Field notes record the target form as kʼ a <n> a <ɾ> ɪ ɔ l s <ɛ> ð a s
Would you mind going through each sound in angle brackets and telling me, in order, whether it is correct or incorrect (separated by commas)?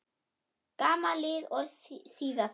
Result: incorrect, incorrect, incorrect